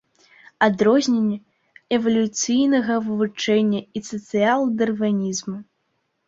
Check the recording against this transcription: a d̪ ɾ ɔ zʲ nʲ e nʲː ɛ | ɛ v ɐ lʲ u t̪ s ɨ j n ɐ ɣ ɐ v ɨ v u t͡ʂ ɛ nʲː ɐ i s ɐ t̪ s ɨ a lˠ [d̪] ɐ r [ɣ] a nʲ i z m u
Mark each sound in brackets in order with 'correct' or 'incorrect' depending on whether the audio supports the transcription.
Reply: correct, incorrect

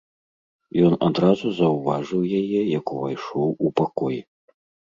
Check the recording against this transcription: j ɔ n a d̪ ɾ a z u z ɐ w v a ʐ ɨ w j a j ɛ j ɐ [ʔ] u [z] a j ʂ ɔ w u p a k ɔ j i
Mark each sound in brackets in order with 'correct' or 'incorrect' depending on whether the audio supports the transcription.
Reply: incorrect, incorrect

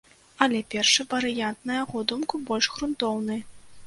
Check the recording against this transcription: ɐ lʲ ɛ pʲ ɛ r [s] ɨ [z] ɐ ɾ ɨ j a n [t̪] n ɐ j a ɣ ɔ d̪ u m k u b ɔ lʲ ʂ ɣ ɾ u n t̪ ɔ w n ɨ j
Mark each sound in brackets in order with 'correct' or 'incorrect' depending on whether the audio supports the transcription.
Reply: incorrect, incorrect, correct

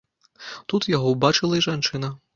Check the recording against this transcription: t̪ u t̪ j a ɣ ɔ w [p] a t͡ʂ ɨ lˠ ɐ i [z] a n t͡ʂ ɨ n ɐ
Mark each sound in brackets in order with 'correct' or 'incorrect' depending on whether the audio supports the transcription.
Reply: incorrect, incorrect

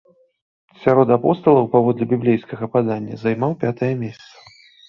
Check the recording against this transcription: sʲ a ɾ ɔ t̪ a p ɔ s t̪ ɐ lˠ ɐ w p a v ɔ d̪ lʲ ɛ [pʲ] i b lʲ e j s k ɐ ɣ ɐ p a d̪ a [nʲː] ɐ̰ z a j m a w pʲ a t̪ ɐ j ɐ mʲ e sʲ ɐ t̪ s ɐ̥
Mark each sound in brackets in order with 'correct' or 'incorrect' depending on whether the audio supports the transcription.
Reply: incorrect, correct

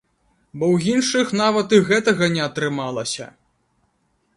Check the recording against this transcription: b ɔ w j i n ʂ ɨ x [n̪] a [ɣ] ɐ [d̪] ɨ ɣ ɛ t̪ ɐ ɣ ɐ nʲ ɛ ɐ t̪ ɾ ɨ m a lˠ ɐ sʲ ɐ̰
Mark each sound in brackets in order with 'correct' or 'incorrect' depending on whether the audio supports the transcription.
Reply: correct, incorrect, incorrect

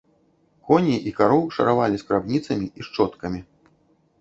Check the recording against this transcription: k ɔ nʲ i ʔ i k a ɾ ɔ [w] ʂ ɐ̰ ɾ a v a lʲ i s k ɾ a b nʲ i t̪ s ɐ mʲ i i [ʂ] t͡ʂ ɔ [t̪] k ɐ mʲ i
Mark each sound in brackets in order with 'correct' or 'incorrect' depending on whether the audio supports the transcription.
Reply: correct, correct, correct

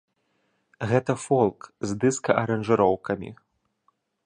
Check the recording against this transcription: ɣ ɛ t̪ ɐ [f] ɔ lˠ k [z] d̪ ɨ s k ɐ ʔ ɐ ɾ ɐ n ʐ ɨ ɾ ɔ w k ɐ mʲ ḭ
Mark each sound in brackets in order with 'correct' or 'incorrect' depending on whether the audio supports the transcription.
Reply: correct, correct

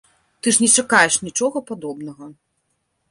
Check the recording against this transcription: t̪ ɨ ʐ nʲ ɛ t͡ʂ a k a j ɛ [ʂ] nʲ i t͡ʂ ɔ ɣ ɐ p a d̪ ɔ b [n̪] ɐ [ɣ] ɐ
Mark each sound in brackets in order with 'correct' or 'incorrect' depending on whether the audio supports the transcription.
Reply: correct, correct, correct

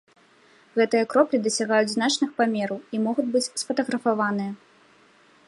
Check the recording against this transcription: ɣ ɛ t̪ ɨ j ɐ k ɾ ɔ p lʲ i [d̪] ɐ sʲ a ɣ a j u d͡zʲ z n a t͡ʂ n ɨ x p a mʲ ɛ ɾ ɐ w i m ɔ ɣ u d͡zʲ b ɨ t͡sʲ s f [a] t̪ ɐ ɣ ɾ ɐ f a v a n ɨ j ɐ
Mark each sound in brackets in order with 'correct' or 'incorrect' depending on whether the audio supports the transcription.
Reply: correct, incorrect

